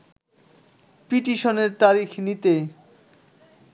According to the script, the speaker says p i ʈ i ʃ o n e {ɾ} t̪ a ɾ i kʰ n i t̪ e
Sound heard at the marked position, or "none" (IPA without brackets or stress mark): ɾ